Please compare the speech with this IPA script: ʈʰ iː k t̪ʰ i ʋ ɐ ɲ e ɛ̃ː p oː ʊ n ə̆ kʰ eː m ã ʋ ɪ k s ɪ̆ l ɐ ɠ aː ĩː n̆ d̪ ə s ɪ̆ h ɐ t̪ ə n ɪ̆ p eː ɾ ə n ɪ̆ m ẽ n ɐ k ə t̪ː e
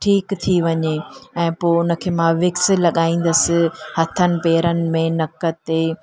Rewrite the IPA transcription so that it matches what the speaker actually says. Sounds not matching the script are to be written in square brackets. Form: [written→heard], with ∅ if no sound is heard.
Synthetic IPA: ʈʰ iː k t̪ʰ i ʋ ɐ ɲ e ɛ̃ː p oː ʊ n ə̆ kʰ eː m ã ʋ ɪ k s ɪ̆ l ɐ ɠ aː ĩː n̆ d̪ ə s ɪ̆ h ɐ [t̪→t̪ʰ] ə n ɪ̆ p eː ɾ ə n ɪ̆ m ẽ n ɐ k ə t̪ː e